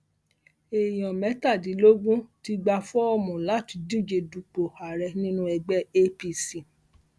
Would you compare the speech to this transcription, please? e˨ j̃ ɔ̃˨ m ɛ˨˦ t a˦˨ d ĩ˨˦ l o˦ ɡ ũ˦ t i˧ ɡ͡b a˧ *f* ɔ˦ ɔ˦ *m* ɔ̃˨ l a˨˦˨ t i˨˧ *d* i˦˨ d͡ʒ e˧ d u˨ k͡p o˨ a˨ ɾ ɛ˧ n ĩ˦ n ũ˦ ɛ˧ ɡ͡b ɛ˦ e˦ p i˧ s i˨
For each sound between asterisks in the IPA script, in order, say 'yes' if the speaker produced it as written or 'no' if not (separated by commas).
yes, yes, yes